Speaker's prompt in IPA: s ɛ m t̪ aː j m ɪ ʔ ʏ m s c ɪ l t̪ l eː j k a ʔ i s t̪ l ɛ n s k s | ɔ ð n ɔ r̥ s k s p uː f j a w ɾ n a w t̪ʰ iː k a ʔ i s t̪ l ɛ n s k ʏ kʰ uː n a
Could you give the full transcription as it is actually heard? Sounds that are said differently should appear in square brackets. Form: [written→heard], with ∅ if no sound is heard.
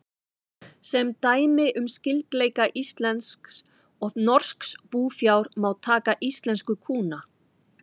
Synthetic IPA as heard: s ɛ m t̪ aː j m ɪ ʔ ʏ m s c ɪ l t̪ l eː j k a ʔ i s t̪ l ɛ n s k s | ɔ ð n ɔ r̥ s k s p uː f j a w ɾ [n→m] a w t̪ʰ [iː→aː] k a ʔ i s t̪ l ɛ n s k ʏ kʰ uː n a